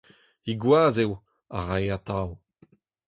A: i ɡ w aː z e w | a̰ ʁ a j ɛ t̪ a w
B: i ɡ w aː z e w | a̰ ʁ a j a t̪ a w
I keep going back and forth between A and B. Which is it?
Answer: B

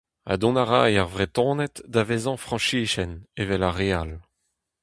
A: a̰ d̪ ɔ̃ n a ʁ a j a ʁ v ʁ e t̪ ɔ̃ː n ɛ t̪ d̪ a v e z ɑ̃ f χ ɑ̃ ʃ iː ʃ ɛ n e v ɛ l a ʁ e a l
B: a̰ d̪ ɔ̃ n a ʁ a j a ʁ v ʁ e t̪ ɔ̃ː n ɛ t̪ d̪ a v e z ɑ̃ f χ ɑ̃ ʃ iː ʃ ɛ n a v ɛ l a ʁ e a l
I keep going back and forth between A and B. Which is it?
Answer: A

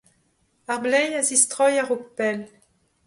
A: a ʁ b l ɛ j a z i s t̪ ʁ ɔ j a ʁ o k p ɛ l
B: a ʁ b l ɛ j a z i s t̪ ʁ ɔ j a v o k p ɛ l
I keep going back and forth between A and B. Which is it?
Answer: A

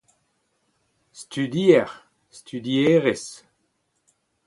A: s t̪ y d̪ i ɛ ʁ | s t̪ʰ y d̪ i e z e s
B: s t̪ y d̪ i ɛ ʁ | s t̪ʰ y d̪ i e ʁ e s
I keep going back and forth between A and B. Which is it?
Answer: B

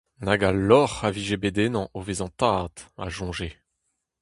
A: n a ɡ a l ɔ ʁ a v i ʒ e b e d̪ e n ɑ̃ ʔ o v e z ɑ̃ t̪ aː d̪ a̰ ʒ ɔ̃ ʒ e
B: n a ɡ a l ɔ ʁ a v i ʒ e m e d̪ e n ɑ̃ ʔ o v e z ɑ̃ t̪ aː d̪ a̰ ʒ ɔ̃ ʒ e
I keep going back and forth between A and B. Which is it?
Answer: A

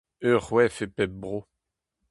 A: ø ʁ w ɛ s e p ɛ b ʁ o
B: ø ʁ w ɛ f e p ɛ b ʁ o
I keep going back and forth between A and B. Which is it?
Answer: B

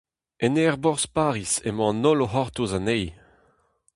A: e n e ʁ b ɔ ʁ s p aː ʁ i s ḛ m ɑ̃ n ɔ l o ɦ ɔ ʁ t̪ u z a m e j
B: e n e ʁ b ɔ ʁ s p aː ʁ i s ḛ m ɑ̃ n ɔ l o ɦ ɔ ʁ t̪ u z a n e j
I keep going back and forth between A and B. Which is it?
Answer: B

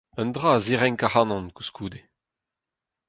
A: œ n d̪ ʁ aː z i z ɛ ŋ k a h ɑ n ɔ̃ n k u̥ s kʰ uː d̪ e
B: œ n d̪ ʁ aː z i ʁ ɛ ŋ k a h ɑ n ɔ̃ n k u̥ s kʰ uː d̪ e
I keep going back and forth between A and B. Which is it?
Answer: B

